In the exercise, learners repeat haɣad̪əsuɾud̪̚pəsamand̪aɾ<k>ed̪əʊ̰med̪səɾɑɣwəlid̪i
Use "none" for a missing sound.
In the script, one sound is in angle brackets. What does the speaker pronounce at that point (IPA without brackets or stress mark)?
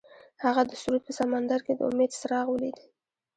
k